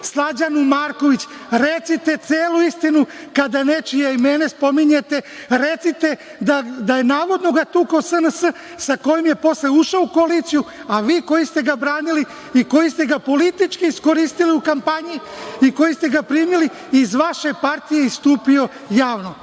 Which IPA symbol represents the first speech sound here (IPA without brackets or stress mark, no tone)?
s